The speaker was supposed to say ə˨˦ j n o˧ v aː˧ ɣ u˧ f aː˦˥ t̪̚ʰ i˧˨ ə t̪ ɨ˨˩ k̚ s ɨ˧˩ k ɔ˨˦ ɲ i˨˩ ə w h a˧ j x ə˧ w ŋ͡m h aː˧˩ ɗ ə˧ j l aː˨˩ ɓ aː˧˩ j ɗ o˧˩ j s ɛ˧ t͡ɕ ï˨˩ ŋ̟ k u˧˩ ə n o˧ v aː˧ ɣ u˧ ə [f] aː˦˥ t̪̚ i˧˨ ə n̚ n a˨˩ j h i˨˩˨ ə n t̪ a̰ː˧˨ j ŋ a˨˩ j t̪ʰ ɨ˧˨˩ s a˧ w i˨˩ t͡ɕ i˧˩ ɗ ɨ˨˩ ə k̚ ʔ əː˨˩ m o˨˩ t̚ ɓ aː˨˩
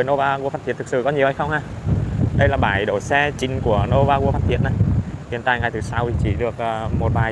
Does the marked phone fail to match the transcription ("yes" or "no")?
no